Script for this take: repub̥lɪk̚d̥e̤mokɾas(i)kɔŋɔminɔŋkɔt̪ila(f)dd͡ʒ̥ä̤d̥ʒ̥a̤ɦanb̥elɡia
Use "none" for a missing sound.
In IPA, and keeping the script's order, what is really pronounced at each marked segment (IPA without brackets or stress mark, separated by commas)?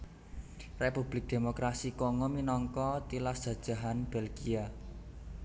i, s